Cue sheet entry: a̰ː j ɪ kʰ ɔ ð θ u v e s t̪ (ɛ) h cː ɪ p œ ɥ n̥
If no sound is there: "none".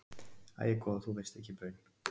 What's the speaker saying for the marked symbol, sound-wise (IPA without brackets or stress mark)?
ɛ